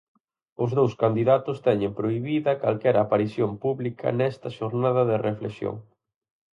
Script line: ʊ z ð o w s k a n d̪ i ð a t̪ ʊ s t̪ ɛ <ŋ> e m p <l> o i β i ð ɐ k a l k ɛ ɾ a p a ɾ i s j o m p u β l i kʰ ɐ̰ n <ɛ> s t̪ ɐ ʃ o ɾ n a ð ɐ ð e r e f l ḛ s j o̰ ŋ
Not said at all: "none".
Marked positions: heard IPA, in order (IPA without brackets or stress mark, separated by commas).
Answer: ɲ, ɾ, ɛ